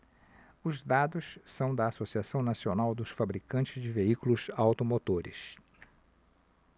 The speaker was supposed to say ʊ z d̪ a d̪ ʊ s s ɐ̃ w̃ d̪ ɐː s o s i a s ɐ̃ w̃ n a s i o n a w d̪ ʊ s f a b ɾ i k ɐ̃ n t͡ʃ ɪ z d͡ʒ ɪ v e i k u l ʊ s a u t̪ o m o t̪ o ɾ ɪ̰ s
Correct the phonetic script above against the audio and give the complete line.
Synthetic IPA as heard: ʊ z d̪ a d̪ ʊ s s ɐ̃ w̃ d̪ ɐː s o s i a s ɐ̃ w̃ n a s i o n a w d̪ ʊ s f a b ɾ i k ɐ̃ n t͡ʃ ɪ z d͡ʒ ɪ v e i k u l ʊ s a w t̪ o m o t̪ o ɾ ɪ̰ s